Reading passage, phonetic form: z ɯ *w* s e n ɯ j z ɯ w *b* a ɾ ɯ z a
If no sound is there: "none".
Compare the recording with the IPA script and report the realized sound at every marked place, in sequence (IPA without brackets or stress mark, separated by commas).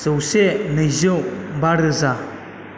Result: w, b